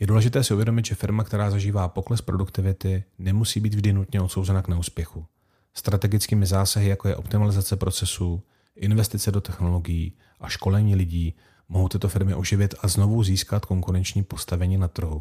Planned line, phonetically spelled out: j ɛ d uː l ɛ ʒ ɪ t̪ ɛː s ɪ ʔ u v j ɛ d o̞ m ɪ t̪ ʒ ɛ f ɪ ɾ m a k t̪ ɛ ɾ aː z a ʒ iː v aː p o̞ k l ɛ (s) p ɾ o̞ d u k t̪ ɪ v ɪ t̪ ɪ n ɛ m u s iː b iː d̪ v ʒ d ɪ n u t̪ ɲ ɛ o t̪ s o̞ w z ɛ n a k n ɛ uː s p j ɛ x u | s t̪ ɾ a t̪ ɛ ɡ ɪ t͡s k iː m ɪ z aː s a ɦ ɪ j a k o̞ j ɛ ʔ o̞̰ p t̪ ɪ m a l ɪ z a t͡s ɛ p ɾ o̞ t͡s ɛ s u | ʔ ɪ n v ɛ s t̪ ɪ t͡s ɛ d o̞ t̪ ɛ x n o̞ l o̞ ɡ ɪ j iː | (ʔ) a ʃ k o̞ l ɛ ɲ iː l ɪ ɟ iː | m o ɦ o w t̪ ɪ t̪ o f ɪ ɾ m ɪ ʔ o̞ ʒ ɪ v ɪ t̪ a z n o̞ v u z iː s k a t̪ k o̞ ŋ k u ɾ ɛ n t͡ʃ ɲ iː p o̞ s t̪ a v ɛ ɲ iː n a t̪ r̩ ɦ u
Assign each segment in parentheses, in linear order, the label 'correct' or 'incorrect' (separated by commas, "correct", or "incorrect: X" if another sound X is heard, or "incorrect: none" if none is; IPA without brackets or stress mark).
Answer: correct, correct